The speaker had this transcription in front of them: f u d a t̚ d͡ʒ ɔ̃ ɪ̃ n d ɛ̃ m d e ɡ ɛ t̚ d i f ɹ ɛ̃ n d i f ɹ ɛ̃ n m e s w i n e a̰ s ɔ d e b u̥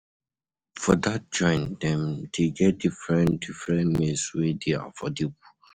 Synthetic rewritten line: f ɔ d a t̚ d͡ʒ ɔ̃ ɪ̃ n d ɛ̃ m d e ɡ ɛ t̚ d i f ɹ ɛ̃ n d i f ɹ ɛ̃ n m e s w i d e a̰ f ɔ d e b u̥